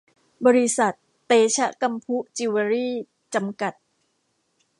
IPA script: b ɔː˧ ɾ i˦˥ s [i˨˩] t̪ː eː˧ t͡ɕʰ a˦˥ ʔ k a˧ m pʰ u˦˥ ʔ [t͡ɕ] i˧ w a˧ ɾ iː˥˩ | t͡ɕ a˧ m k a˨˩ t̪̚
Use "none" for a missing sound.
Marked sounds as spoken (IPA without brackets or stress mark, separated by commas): a˨˩, t͡ɕ